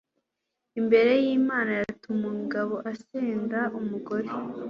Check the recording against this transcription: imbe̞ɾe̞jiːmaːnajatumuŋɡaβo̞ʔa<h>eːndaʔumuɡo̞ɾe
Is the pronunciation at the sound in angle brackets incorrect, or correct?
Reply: incorrect: s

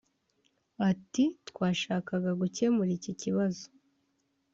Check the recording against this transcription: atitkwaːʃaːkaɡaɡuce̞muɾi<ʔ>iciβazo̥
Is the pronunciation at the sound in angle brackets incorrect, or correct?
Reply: incorrect: c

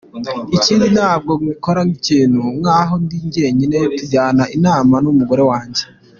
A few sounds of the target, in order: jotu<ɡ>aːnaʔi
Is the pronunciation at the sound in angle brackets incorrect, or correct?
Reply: incorrect: ɟ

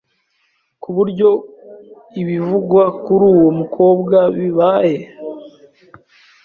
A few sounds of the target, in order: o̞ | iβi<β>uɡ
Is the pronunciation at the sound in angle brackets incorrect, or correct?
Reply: incorrect: v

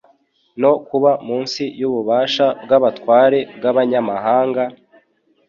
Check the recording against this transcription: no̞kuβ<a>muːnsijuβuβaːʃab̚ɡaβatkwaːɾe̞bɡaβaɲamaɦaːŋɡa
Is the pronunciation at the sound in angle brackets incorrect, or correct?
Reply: correct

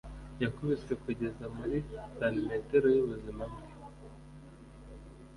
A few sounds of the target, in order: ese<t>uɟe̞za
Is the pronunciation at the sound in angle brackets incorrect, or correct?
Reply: incorrect: k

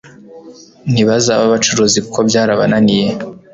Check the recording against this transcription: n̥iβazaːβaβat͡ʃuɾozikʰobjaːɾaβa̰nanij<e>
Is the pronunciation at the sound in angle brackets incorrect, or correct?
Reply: correct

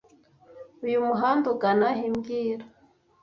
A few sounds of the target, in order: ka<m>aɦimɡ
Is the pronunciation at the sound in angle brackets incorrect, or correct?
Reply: incorrect: n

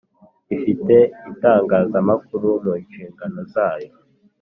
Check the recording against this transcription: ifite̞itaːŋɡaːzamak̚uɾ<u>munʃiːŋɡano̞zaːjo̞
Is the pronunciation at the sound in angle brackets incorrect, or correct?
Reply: correct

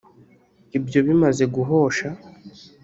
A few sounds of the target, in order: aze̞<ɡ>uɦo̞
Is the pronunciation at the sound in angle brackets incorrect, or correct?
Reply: correct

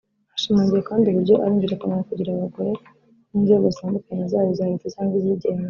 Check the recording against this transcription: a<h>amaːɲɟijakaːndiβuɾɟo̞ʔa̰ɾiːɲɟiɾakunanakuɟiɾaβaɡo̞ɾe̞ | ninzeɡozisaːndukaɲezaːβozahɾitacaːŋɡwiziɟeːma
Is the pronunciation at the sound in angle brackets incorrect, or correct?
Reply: incorrect: ʃ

